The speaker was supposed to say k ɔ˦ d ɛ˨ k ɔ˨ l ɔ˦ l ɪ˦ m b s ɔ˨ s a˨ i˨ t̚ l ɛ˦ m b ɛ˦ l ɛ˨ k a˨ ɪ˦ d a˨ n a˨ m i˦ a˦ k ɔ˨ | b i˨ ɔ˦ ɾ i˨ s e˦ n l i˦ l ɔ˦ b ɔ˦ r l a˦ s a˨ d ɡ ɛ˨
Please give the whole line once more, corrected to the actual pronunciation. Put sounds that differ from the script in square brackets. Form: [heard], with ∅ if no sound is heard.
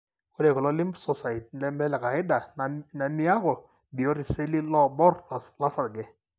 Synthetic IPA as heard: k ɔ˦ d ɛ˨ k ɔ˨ l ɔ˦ l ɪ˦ m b s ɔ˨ s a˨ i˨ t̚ l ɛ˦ m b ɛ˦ l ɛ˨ k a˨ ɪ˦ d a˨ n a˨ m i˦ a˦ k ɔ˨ | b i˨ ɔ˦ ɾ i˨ s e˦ [∅] l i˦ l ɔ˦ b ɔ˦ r l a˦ s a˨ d ɡ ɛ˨